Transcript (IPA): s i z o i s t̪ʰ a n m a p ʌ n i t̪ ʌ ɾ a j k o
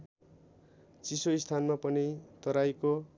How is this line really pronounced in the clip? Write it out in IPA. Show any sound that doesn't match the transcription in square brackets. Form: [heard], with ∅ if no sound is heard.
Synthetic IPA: [t͡s] i [s] o i s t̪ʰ a n m a p ʌ n i t̪ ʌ ɾ a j k o